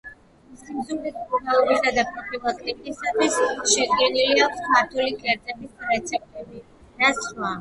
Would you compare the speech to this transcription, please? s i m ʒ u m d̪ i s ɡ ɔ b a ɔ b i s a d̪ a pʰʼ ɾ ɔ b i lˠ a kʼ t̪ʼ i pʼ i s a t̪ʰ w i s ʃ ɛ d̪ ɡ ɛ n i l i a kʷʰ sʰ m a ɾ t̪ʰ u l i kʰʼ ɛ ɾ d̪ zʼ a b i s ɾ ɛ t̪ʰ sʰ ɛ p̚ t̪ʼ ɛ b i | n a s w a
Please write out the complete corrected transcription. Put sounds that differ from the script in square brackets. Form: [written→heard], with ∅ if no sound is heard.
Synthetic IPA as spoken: s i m [ʒ→z] u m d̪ i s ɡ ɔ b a ɔ b i s a d̪ a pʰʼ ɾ ɔ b i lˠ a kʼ t̪ʼ i [pʼ→kʼ] i s a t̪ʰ w i s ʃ ɛ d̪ ɡ ɛ n i l i a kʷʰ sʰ m a ɾ t̪ʰ u l i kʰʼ ɛ ɾ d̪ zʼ [a→ɛ] b i s ɾ ɛ [t̪ʰ→t̪] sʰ ɛ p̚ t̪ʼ ɛ b i | n a s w a